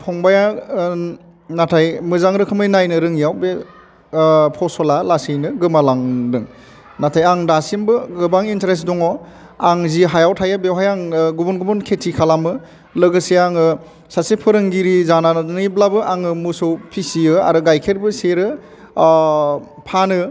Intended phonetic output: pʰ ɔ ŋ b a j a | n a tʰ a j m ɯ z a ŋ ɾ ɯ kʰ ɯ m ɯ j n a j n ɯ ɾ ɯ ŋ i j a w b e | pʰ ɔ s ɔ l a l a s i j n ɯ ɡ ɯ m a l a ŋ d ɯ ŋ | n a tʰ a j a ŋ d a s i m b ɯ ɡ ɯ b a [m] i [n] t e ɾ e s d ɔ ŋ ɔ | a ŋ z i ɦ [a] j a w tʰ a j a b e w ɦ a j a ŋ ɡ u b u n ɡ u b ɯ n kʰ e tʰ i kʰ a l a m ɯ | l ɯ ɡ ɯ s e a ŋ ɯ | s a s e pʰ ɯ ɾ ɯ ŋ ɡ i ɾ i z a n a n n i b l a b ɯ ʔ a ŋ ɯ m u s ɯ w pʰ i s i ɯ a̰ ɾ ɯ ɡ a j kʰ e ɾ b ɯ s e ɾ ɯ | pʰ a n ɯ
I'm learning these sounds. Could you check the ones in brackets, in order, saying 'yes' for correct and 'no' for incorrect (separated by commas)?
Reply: no, yes, yes